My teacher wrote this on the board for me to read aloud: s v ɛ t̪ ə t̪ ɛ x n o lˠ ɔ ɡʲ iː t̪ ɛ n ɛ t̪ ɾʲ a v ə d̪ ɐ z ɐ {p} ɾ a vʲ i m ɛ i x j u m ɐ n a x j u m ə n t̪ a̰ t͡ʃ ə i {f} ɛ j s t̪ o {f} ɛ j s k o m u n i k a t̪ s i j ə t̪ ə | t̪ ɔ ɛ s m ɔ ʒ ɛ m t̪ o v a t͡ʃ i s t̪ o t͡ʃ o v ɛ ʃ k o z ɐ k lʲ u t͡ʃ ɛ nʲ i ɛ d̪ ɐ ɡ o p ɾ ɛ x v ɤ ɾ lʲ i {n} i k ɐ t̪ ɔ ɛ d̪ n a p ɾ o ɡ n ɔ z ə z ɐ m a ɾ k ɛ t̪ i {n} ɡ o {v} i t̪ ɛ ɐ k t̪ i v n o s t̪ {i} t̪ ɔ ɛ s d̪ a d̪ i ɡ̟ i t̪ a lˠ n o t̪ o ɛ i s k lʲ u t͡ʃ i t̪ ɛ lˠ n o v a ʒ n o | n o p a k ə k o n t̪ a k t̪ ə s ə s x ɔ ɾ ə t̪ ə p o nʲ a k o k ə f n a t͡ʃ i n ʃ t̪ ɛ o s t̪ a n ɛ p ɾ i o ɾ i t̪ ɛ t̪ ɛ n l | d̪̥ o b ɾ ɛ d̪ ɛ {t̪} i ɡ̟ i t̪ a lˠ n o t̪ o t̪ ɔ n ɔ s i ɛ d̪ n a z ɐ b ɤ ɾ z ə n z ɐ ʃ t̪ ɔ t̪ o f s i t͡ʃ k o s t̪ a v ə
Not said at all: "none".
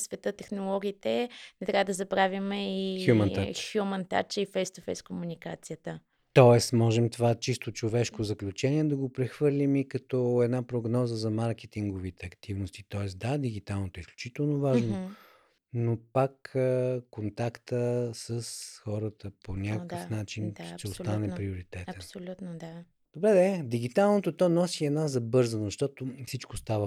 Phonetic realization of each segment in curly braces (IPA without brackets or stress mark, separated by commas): b, f, f, m, ŋ, v, i, d̪